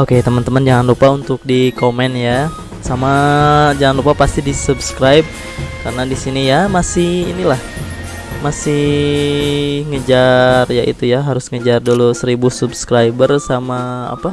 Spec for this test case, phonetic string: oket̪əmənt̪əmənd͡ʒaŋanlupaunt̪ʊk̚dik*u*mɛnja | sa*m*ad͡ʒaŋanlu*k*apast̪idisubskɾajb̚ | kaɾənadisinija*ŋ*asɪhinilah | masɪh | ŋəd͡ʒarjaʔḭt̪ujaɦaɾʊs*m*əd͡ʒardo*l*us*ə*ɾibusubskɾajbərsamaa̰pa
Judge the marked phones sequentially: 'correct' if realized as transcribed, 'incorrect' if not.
incorrect, correct, incorrect, incorrect, incorrect, correct, correct

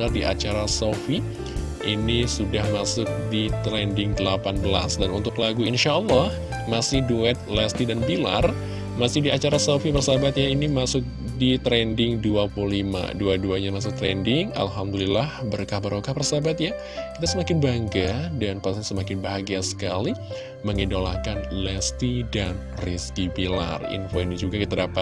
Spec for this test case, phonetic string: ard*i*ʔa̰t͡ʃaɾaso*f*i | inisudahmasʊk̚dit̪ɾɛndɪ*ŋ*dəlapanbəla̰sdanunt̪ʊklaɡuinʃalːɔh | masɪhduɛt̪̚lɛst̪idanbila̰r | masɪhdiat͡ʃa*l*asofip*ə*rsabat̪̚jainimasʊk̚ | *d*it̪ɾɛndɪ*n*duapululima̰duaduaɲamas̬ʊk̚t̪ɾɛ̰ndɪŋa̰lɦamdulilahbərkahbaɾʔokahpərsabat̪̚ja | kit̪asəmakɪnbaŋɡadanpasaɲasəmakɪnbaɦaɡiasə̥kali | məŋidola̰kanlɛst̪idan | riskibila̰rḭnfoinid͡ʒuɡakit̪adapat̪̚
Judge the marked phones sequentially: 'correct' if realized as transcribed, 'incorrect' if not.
correct, correct, correct, incorrect, correct, correct, incorrect

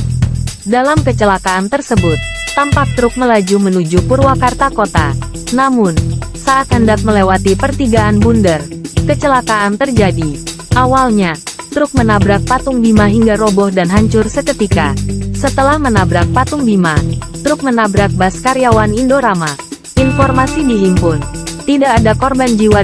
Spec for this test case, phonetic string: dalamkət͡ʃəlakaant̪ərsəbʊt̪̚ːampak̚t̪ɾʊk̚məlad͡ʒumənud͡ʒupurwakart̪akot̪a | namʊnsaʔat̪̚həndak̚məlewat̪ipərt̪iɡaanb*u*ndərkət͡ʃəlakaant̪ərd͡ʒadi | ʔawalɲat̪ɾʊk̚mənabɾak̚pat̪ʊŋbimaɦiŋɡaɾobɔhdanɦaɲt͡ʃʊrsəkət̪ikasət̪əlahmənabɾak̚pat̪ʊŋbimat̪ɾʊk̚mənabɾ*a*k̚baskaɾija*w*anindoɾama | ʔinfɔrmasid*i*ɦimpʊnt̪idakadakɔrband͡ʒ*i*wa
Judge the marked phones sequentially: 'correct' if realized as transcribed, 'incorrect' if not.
correct, correct, correct, correct, correct

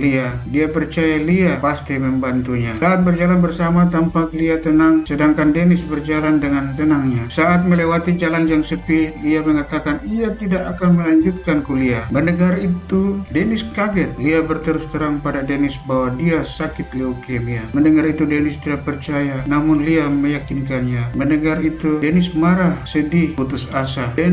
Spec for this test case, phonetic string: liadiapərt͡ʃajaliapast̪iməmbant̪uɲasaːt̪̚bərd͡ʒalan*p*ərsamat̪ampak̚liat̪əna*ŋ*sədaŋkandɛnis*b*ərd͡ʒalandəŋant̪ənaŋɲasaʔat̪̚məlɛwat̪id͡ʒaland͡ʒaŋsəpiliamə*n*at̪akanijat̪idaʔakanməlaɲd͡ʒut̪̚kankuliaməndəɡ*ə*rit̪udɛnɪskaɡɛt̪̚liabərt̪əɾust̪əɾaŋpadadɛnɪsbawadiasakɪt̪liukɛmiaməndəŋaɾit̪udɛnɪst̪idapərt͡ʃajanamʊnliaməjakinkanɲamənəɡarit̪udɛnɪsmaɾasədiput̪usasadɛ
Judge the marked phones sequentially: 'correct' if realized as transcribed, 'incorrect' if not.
incorrect, correct, correct, incorrect, incorrect

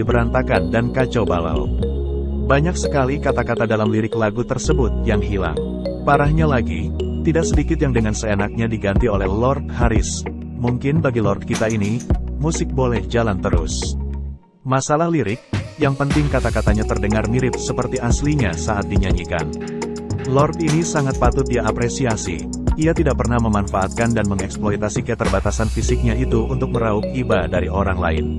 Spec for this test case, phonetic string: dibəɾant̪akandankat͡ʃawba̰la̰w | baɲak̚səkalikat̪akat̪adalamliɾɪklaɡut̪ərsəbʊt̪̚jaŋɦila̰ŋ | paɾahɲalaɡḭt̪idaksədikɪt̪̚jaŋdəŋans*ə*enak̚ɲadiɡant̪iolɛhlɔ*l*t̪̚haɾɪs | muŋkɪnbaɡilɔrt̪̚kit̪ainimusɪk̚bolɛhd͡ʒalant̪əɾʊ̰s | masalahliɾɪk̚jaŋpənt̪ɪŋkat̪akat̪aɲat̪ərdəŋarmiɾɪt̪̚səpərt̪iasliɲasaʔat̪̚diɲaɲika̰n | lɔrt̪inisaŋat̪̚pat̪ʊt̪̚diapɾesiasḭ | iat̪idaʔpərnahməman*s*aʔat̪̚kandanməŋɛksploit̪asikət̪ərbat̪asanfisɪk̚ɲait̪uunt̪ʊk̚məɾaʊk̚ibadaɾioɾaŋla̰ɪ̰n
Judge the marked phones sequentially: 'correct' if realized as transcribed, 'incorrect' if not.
correct, incorrect, incorrect

